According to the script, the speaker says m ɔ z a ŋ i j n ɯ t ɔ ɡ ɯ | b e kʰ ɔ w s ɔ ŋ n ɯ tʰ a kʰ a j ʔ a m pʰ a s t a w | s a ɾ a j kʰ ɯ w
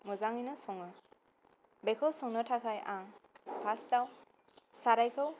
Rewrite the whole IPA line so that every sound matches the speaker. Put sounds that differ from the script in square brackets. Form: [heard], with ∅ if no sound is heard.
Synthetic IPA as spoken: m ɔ z a ŋ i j n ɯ [s] ɔ [ŋ] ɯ | b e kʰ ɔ w s ɔ ŋ n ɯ tʰ a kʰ a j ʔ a [ŋ] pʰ a s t a w | s a ɾ a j kʰ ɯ w

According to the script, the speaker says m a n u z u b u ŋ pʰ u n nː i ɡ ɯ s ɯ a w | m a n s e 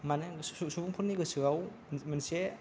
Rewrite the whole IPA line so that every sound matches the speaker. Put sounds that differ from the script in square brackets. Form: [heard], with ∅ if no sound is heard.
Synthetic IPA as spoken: m a n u [s] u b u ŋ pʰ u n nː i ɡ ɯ s ɯ a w | m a n s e

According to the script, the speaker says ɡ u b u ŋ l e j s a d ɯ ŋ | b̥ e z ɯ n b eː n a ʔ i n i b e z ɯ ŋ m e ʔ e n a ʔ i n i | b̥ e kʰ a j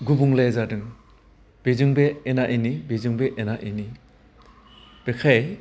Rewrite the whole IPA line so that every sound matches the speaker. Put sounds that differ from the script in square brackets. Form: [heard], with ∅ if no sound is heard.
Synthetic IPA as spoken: ɡ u b u ŋ l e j [z] a d ɯ ŋ | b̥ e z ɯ [ŋ] b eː n a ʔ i n i b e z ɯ ŋ [b] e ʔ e n a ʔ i n i | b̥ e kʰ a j

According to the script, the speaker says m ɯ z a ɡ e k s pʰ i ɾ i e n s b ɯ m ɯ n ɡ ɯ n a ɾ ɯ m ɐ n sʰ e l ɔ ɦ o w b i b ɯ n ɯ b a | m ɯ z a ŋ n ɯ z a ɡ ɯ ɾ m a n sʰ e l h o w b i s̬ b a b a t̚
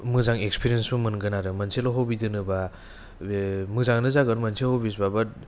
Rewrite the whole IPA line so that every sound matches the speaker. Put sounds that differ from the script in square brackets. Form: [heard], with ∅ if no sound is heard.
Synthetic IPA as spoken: m ɯ z a [ŋ] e k s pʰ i ɾ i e n s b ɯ m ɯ n ɡ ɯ n a ɾ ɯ m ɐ n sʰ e l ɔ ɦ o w b i [d] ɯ n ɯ b a | m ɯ z a ŋ n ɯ z a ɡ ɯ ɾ m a n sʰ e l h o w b i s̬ b a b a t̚

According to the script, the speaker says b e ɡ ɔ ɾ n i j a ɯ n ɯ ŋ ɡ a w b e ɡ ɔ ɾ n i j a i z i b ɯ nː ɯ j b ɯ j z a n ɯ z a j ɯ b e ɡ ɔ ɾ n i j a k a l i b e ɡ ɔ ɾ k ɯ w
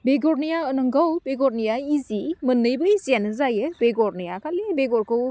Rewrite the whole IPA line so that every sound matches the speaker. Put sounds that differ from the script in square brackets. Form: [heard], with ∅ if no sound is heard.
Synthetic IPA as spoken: b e ɡ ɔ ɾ n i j a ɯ n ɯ ŋ ɡ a w b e ɡ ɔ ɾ n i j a i z i [m] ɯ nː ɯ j b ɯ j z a n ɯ z a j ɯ b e ɡ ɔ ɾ n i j a k a l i b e ɡ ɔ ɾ k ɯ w

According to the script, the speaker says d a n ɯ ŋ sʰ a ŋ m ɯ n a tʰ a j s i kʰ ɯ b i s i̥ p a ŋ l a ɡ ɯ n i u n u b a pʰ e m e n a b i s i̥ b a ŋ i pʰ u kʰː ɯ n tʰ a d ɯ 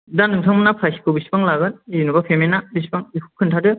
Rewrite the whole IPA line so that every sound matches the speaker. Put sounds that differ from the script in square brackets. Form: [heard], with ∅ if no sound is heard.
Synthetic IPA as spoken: d a n ɯ ŋ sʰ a ŋ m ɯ n a [pʰ] a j s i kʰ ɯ b i s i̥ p a ŋ l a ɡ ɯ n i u n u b a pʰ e m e n a b i s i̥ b a ŋ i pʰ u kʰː ɯ n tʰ a d ɯ

